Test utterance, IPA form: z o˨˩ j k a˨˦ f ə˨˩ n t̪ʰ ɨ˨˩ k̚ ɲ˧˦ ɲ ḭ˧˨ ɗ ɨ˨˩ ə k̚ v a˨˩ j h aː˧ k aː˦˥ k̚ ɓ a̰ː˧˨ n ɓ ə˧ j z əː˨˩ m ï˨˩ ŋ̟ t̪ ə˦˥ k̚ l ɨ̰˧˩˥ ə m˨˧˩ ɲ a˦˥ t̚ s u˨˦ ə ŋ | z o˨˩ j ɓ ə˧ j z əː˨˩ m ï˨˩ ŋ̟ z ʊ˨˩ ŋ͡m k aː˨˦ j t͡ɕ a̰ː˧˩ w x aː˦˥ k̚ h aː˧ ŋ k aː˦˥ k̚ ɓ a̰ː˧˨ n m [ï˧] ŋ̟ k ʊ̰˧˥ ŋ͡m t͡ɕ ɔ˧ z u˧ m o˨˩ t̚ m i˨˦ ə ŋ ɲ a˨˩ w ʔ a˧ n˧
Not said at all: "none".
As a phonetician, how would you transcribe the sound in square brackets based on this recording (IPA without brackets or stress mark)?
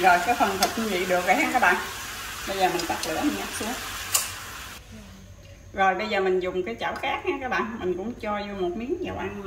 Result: ï˨˩